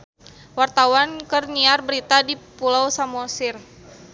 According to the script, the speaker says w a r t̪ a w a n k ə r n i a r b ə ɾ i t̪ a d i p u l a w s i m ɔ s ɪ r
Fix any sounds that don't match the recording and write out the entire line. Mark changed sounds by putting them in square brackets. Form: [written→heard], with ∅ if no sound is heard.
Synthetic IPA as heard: w a r t̪ a w a n k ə r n i a r b ə ɾ i t̪ a d i p u l a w s [i→a] m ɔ s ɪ r